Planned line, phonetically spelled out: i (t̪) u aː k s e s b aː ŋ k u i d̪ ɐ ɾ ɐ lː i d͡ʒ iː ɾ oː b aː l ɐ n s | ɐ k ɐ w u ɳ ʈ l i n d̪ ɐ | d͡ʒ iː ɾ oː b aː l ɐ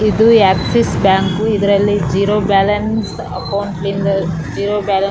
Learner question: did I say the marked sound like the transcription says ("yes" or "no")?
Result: no